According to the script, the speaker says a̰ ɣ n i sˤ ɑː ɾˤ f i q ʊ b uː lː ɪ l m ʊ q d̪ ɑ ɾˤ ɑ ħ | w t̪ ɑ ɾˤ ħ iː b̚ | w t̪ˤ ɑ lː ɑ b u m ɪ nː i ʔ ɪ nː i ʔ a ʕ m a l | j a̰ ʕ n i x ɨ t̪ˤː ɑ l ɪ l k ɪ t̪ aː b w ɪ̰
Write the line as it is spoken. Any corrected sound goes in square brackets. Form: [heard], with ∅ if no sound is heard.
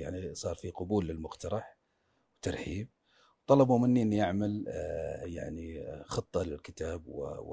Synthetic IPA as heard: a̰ [ʕ] n i sˤ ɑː ɾˤ f i q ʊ b uː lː ɪ l m ʊ q [t̪] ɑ ɾˤ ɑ ħ | w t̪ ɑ ɾˤ ħ iː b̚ | w t̪ˤ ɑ [l] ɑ b u m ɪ nː i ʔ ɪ nː i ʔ a ʕ m a l | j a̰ ʕ n i x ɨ t̪ˤː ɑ l ɪ l k ɪ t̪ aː b w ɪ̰